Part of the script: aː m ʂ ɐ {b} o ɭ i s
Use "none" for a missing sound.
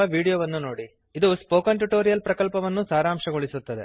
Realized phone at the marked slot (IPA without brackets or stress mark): ɡ